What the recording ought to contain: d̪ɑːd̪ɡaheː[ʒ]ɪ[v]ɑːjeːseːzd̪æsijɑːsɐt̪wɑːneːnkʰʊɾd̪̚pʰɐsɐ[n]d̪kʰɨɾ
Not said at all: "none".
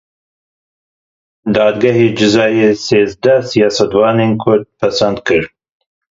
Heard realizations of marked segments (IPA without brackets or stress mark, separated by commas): d͡ʒ, z, n